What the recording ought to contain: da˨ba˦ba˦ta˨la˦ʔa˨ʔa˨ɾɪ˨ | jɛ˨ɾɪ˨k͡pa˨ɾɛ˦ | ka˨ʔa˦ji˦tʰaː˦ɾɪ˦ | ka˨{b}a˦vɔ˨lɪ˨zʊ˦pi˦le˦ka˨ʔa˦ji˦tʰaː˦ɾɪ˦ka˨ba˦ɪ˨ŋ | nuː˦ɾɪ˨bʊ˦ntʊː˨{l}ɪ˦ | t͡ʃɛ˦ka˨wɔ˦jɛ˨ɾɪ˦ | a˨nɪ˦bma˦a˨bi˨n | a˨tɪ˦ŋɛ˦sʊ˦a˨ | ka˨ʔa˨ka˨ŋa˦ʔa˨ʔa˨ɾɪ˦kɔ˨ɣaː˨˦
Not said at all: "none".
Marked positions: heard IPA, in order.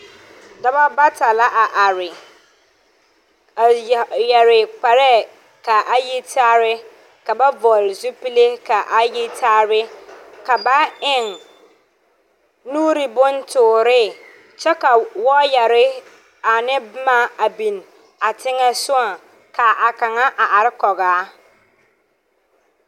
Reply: b, ɾ

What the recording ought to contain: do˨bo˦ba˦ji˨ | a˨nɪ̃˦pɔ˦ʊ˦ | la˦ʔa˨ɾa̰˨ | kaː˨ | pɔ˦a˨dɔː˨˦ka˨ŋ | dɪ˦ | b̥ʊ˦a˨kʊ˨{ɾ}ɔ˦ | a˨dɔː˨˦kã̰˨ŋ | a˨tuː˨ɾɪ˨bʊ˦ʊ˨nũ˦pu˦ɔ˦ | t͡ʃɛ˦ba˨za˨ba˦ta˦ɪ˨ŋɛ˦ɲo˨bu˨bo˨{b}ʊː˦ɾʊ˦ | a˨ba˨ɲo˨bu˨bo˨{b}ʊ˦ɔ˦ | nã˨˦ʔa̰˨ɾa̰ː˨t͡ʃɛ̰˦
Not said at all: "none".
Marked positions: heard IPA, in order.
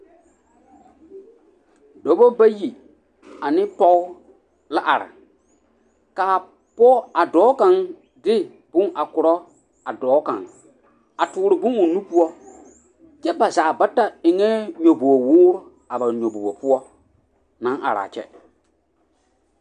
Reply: ɾ, w, p

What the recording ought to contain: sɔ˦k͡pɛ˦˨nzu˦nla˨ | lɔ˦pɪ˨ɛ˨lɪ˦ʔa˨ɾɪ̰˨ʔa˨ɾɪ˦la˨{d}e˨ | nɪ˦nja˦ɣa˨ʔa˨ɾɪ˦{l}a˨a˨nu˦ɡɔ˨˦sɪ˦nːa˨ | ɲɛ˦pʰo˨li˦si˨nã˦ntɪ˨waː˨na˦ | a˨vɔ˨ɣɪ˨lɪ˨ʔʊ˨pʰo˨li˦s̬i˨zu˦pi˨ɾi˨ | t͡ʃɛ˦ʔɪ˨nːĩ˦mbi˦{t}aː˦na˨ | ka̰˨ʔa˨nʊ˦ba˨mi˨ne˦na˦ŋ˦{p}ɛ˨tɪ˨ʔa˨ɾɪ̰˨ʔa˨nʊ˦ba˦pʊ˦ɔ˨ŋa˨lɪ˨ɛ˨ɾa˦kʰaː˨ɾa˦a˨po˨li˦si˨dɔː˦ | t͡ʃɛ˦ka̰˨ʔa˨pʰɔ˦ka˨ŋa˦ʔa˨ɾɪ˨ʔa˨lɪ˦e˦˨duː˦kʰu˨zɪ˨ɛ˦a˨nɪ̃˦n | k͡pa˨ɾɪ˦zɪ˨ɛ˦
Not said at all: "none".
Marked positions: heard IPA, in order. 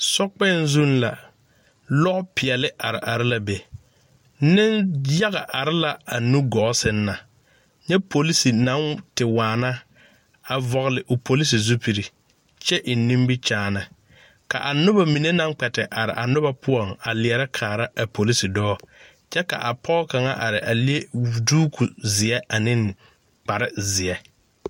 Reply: b, l, t͡ʃ, k͡p

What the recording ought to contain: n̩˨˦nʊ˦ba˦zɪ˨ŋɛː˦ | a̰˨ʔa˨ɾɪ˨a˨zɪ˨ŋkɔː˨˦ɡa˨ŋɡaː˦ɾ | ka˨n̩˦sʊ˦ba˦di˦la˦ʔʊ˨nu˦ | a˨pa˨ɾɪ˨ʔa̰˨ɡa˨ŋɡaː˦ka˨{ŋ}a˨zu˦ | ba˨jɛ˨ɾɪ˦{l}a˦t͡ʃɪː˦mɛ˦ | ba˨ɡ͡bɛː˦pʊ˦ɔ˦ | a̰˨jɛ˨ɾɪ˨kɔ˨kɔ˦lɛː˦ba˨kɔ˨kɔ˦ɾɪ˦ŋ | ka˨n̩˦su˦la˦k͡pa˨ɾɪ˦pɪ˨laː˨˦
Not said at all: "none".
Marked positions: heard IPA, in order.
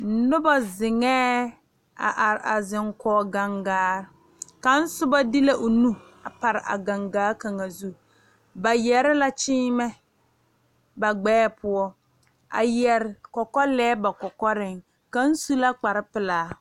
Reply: ŋ, l

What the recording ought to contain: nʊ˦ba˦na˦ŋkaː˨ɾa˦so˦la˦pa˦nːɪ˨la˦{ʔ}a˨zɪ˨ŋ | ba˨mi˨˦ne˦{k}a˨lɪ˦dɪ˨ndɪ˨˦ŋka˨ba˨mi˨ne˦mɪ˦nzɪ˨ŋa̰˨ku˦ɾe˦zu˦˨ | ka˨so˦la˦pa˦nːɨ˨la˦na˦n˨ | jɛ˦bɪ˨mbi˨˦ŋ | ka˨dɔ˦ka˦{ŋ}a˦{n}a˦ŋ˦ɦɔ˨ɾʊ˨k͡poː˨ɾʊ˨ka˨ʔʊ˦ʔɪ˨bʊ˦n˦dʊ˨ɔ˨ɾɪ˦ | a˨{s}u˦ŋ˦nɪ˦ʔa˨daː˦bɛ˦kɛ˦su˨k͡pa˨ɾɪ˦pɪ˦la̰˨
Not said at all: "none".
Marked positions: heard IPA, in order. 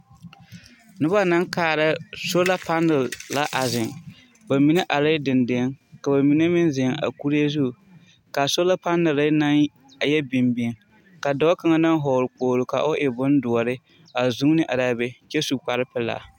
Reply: ʔ, ʔ, ŋ, n, z

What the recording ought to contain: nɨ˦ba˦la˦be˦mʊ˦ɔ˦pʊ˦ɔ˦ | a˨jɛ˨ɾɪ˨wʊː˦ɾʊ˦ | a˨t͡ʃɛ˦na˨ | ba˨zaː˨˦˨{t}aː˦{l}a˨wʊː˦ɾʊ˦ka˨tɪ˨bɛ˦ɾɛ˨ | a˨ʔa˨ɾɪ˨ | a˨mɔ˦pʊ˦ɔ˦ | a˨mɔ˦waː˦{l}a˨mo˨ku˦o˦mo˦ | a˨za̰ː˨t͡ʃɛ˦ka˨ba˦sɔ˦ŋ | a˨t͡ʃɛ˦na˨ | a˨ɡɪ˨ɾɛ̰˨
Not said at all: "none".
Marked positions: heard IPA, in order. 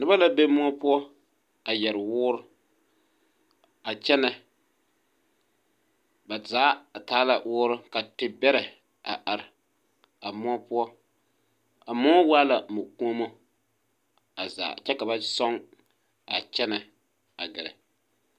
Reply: t, l, l

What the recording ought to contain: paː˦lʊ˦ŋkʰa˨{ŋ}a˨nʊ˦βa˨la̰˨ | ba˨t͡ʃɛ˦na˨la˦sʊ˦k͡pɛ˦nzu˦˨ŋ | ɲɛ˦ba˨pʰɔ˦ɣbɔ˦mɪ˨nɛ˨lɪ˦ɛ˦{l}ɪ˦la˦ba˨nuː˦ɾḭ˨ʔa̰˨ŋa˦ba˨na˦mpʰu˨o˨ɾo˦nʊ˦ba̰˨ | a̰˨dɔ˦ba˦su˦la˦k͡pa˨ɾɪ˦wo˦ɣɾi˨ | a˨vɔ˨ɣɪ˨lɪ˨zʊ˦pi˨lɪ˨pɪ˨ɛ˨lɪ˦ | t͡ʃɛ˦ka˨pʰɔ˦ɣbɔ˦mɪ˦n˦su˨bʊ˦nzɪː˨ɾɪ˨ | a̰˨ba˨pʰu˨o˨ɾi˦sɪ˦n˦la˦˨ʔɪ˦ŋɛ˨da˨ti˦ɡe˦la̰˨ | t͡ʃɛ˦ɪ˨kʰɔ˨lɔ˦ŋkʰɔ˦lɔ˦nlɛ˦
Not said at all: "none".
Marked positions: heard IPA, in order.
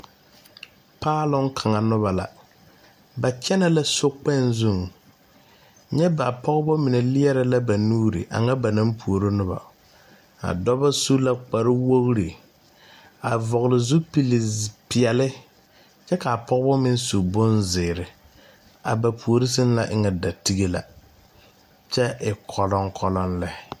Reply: ŋ, ɾ

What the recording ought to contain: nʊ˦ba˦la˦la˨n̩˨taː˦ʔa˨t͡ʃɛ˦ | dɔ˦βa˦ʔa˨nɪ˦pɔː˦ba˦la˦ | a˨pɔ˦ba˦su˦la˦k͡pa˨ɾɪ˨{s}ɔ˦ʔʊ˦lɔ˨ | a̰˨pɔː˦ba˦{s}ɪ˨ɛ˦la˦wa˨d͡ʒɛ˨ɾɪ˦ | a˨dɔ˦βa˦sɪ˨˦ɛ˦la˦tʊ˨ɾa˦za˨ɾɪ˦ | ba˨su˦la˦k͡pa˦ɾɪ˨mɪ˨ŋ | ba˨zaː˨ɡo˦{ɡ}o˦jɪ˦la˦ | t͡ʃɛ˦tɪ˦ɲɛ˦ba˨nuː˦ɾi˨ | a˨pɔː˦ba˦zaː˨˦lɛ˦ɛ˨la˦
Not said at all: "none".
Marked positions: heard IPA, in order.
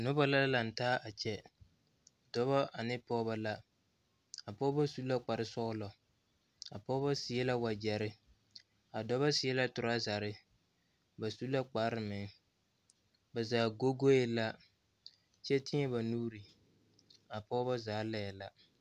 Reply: s, s, ɡ

